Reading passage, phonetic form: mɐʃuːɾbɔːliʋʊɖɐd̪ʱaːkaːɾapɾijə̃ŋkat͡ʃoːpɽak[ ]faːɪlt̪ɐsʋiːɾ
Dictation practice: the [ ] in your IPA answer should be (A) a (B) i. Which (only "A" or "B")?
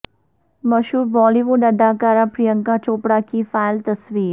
B